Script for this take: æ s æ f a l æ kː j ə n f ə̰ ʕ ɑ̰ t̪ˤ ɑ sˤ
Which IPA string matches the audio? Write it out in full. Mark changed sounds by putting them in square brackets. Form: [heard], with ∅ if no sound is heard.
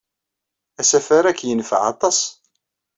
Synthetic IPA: æ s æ f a [ɾ] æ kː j ə n f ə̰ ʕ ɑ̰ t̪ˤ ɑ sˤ